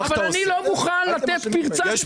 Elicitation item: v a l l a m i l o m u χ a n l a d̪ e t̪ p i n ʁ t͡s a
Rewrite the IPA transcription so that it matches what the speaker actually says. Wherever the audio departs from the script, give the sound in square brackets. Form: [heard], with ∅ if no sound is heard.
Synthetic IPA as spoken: v a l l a [n] i l o m u χ a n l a [t̪] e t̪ p i [∅] ʁ t͡s a